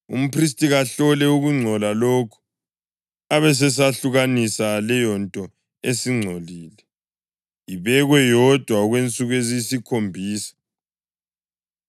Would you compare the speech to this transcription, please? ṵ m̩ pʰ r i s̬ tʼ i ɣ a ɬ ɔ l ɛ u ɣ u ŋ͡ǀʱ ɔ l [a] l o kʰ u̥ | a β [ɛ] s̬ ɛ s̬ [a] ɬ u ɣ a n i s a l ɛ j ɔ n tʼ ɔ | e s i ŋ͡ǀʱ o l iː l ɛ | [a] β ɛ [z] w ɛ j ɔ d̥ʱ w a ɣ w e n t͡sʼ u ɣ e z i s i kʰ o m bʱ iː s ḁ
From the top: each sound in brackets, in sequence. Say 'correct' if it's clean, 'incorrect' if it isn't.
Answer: correct, correct, correct, incorrect, incorrect

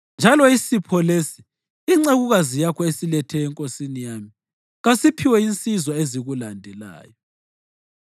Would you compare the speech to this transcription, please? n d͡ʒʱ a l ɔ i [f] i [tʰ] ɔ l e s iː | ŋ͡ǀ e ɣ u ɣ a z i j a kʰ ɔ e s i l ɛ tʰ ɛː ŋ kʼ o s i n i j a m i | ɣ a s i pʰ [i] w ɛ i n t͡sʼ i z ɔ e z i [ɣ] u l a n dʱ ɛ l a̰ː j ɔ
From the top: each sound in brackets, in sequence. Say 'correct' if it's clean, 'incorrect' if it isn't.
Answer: incorrect, incorrect, correct, correct

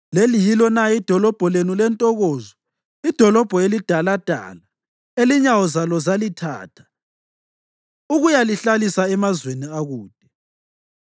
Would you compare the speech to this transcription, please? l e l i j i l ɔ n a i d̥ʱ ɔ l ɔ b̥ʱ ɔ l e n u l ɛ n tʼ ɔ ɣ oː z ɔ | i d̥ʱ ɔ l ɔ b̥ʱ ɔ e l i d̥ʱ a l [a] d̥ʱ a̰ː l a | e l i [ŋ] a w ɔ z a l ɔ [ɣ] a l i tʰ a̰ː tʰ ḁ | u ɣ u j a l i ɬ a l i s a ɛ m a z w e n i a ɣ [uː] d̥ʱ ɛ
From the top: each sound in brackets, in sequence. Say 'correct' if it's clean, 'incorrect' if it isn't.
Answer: correct, incorrect, incorrect, correct

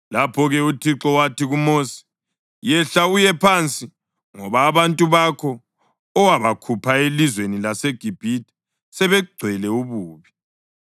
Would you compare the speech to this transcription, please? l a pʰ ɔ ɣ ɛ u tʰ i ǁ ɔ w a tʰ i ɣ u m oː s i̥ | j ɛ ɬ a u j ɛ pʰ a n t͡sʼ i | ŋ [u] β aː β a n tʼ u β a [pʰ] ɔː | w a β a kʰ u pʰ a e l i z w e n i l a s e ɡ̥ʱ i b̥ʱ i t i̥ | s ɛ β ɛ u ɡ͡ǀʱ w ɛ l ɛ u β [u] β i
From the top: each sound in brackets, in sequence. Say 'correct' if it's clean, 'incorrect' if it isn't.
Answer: incorrect, incorrect, incorrect

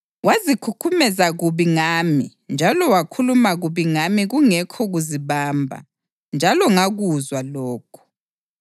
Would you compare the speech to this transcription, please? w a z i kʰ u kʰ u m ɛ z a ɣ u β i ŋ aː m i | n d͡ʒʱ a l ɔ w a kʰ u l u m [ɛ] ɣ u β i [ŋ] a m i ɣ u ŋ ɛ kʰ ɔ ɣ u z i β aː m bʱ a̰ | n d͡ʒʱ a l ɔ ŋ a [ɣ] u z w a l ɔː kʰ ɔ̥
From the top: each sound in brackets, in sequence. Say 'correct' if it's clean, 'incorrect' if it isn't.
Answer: incorrect, correct, correct

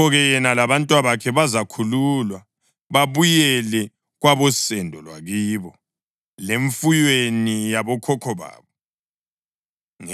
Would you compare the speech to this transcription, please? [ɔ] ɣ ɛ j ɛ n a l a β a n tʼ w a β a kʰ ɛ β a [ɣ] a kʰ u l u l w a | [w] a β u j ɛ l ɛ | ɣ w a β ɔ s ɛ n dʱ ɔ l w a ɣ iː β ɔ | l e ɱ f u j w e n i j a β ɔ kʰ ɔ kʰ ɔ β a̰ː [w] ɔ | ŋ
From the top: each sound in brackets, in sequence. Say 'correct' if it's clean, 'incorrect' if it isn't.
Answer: correct, incorrect, incorrect, incorrect

